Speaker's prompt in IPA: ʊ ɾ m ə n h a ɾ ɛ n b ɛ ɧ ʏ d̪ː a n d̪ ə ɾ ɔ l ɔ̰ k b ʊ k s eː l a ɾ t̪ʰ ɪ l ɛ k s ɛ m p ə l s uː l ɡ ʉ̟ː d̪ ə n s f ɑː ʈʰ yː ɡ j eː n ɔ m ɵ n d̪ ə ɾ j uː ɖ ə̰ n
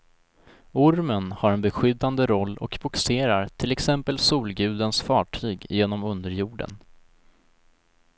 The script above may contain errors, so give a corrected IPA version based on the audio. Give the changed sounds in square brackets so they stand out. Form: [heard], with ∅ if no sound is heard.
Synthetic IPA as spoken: ʊ ɾ m ə n h a ɾ ɛ n b ɛ ɧ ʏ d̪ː a n d̪ ə ɾ ɔ [lː] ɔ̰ k b ʊ k s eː [ɾ] a ɾ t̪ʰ ɪ l ɛ k s ɛ m p ə l s uː l ɡ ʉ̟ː d̪ ə n s f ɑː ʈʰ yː ɡ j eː n ɔ m ɵ n d̪ ə ɾ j uː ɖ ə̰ n